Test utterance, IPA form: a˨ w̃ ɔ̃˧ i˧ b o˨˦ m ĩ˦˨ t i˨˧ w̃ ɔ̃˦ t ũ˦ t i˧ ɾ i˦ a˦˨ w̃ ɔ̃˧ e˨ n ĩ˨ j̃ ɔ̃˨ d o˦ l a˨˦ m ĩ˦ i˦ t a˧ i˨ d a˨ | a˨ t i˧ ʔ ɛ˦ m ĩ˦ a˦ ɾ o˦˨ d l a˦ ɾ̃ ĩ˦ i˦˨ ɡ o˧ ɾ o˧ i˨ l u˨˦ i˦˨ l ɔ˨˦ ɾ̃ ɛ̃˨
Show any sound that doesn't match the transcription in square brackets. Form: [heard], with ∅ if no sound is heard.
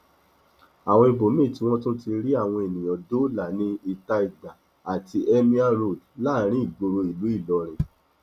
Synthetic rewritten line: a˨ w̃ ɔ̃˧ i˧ b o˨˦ m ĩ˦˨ t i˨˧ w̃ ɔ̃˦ t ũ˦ t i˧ ɾ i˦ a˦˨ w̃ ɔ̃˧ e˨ n ĩ˨ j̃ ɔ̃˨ d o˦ l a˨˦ [n] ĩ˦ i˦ t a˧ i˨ d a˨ | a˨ t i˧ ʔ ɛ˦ m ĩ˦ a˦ ɾ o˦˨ d l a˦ ɾ̃ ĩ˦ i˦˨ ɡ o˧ ɾ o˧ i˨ l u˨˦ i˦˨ l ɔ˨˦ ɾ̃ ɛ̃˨